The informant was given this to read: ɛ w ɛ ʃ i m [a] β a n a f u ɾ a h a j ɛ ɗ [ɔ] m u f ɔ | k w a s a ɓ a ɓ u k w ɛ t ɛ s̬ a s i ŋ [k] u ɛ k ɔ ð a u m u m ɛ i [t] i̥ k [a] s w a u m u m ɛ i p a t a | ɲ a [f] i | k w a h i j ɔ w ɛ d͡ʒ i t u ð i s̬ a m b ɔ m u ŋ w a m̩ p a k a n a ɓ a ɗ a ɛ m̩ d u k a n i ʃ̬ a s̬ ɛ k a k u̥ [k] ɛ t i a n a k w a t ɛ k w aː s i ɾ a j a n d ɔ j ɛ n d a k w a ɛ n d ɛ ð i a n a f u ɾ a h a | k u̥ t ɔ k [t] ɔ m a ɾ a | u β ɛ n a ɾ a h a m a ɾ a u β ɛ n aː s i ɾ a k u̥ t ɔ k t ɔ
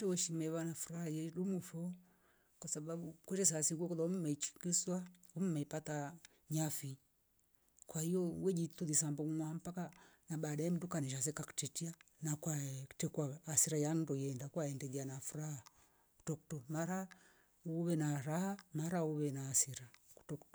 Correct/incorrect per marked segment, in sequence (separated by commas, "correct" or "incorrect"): incorrect, incorrect, incorrect, incorrect, incorrect, correct, incorrect, correct